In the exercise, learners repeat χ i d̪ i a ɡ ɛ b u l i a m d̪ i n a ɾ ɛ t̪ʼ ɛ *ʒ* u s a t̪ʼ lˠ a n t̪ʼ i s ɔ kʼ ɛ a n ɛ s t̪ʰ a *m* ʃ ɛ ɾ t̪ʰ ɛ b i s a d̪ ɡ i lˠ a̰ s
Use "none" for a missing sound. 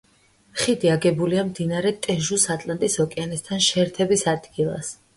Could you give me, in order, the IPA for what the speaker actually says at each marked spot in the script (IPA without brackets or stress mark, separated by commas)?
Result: ʒ, n